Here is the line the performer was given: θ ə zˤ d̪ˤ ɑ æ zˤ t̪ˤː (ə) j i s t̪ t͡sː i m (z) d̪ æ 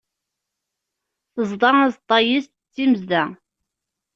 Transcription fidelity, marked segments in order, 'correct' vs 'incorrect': incorrect: ɑ, correct

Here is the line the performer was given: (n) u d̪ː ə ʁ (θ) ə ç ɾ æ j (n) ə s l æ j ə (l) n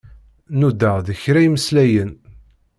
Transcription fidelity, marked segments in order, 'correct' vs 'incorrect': correct, incorrect: ð, incorrect: m, incorrect: none

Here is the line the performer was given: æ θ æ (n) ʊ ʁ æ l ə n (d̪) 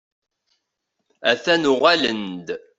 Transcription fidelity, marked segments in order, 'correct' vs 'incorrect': correct, correct

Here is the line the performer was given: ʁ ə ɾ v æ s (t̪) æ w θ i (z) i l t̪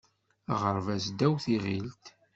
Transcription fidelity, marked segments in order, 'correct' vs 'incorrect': incorrect: d̪, incorrect: ʁ

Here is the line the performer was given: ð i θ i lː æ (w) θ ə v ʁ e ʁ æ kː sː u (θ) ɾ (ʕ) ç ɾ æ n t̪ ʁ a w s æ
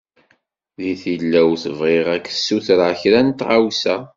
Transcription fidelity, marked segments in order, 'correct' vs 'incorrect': correct, correct, correct

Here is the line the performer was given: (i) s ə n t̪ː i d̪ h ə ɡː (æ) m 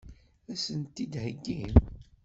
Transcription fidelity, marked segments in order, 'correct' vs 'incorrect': incorrect: æ, incorrect: i

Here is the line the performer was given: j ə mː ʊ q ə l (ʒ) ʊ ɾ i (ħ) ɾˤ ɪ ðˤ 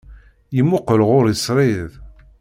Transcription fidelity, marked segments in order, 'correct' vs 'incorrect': incorrect: ʁ, incorrect: s

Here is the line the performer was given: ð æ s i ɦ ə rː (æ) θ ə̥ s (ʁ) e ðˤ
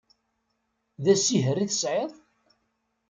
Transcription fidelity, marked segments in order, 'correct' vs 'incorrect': incorrect: i, incorrect: ʕ

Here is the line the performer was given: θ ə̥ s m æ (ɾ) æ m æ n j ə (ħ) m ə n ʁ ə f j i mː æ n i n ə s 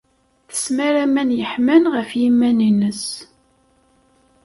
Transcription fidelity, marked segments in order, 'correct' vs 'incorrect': correct, correct

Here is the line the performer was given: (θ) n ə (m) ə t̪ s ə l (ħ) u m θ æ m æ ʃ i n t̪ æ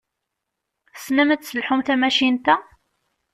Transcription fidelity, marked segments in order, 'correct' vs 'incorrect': incorrect: s, correct, correct

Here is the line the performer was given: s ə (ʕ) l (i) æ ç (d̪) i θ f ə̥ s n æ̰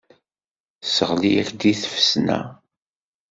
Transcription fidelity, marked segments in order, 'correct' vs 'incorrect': incorrect: ʁ, correct, correct

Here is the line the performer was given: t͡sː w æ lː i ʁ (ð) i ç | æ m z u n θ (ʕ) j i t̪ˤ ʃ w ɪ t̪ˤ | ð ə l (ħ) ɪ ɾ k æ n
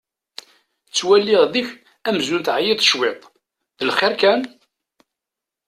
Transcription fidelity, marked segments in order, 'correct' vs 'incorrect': correct, correct, incorrect: χ

